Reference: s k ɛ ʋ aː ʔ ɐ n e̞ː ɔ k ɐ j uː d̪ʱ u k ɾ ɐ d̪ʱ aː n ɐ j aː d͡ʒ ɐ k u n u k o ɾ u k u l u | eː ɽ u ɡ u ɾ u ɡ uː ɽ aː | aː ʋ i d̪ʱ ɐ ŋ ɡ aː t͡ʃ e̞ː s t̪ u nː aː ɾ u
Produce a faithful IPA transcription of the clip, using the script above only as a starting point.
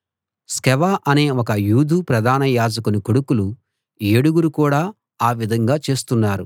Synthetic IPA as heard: s k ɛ ʋ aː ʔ ɐ n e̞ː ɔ k ɐ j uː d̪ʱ u p ɾ ɐ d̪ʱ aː n ɐ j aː d͡ʒ ɐ k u n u k o ɽ u k u l u | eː ɽ u ɡ u ɾ u k uː ɽ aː | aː ʋ i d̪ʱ ɐ ŋ ɡ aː t͡ʃ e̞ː s t̪ u nː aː ɾ u